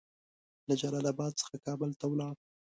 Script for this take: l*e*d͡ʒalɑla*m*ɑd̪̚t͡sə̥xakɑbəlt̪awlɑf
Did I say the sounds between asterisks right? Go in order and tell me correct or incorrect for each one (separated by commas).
incorrect, incorrect